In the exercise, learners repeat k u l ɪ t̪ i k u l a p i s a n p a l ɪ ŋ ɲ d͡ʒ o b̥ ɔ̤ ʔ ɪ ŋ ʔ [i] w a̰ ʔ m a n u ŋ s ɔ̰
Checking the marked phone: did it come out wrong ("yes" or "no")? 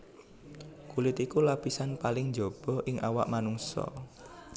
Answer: yes